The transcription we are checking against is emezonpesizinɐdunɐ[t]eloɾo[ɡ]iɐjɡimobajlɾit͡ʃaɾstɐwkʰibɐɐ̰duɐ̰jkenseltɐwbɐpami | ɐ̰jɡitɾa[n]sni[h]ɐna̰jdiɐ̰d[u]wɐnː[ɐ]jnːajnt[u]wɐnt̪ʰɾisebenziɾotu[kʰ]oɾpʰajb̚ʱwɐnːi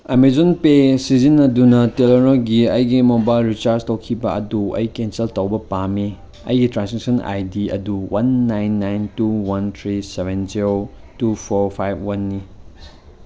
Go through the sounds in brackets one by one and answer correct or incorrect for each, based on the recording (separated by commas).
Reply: correct, correct, correct, incorrect, correct, incorrect, correct, incorrect